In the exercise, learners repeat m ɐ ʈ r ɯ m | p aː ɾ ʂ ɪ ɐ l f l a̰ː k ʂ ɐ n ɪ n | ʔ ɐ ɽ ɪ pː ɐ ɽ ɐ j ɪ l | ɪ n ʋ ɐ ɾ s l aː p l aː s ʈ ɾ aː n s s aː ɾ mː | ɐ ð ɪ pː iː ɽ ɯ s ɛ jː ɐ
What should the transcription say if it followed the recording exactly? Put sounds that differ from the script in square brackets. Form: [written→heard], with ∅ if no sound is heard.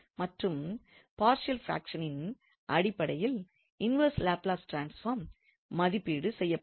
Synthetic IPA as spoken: m ɐ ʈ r ɯ m | p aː ɾ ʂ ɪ ɐ l f [l→ɾ] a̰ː k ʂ ɐ n ɪ n | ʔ ɐ ɽ ɪ pː ɐ ɽ ɐ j ɪ l | ɪ n ʋ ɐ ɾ s l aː p l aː s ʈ ɾ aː n s [s→f] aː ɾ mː | ɐ ð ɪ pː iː ɽ ɯ s ɛ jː ɐ